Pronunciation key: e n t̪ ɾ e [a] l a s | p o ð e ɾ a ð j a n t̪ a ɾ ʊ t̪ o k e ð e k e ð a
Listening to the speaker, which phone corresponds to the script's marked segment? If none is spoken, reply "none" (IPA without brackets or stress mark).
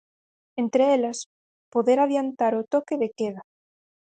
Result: e